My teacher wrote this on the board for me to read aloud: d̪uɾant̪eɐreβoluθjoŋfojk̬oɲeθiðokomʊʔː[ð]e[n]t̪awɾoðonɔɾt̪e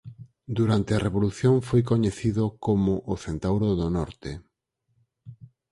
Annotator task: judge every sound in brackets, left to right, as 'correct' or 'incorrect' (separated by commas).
incorrect, correct